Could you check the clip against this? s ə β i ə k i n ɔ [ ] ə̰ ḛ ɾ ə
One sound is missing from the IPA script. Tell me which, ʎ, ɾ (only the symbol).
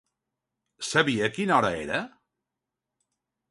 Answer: ɾ